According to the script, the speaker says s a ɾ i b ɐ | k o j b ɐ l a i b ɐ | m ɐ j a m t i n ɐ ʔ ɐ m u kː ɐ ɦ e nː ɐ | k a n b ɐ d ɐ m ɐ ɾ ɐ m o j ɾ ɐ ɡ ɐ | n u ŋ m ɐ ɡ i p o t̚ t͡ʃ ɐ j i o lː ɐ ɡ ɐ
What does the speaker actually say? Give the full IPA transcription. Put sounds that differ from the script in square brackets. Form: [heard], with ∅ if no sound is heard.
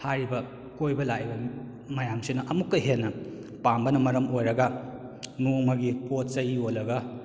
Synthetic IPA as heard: [h] a ɾ i b ɐ | k o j b ɐ l a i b ɐ | m ɐ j a m [s] i n ɐ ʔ ɐ m u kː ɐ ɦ e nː ɐ | [p] a [m] b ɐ [n] ɐ m ɐ ɾ ɐ m o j ɾ ɐ ɡ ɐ | n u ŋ m ɐ ɡ i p o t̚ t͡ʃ ɐ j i o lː ɐ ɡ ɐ